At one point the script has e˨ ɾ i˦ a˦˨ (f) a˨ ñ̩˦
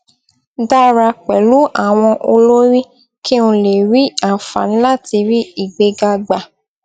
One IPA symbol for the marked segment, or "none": f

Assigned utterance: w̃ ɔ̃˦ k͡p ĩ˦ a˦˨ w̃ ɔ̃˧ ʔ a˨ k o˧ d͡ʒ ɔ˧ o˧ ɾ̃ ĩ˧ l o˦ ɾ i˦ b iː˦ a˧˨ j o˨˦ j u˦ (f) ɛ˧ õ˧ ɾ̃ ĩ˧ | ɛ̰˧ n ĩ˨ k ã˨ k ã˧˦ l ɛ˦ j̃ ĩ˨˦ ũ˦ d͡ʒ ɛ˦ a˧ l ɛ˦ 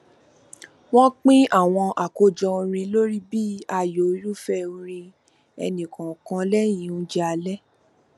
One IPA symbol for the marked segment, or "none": f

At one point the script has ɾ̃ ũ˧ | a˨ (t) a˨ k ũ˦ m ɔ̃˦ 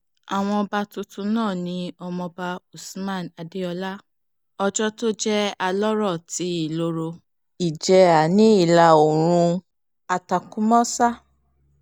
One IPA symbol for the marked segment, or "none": t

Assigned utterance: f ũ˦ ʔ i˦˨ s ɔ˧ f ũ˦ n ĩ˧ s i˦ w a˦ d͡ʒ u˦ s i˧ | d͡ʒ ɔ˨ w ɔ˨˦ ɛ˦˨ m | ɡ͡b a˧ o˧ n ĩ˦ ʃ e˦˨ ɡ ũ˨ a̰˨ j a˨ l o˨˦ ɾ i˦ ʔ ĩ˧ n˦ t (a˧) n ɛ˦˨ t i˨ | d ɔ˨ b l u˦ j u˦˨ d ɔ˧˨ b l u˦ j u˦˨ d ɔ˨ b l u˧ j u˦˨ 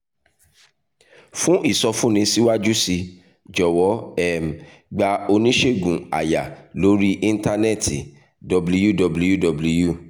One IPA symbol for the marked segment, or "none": a˧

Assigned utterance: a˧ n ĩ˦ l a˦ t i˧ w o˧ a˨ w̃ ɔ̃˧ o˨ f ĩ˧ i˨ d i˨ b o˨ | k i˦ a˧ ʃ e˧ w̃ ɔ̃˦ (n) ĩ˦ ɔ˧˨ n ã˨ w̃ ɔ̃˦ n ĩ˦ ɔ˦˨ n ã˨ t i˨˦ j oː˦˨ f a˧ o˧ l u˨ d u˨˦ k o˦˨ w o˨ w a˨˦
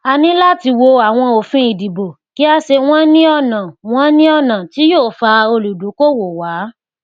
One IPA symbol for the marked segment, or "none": n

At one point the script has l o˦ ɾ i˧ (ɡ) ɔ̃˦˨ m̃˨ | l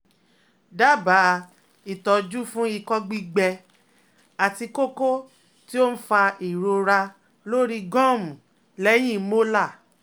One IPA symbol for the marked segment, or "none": ɡ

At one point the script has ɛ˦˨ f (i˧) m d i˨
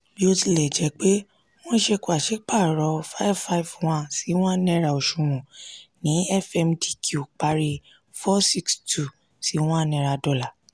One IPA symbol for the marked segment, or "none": ɛ˧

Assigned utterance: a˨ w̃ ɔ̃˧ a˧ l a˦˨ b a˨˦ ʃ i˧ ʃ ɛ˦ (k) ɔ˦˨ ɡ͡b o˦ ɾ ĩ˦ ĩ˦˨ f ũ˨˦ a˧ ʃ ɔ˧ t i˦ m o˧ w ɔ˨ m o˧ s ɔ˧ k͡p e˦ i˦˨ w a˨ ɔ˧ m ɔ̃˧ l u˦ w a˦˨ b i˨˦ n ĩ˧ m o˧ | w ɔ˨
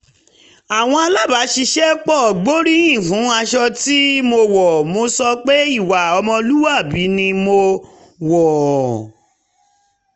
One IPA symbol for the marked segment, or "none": k͡p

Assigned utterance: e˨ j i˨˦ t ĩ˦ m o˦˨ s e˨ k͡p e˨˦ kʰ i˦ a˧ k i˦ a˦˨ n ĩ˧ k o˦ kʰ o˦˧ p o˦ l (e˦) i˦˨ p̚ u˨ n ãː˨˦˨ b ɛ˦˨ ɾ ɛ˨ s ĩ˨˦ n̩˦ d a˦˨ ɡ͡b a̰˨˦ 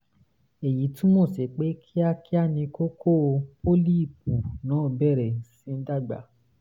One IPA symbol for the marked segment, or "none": i˦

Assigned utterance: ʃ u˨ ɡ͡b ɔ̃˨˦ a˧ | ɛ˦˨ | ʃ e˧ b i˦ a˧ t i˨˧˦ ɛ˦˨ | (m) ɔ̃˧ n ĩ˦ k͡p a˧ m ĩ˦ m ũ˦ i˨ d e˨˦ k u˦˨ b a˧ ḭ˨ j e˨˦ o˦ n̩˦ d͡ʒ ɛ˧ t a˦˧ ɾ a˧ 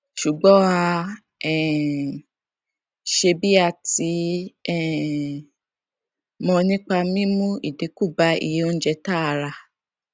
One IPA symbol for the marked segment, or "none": m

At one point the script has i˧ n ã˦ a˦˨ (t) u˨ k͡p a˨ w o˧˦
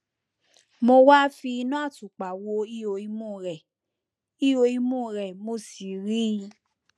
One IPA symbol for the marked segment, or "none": t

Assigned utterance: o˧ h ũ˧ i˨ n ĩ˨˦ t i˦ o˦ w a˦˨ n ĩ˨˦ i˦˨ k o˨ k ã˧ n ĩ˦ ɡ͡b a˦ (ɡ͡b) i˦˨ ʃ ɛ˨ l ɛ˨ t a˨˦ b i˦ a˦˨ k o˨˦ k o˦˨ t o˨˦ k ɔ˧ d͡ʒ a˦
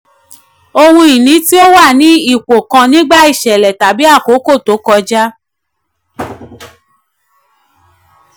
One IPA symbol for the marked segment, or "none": none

